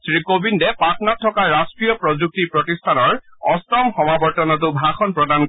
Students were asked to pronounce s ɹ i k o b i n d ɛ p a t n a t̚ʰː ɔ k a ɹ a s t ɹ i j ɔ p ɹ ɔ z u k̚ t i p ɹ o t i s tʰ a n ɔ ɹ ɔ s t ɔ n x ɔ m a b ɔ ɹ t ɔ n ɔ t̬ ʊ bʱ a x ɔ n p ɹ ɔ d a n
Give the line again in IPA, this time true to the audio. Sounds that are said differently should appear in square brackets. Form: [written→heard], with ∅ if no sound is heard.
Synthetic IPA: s ɹ i k o b i n d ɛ p a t n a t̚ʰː ɔ k a ɹ a s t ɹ i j ɔ p ɹ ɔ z u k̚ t i p ɹ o t i s tʰ a n ɔ ɹ ɔ s t ɔ [n→m] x ɔ m a b ɔ ɹ t ɔ n ɔ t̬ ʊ bʱ a x ɔ n p ɹ ɔ d a n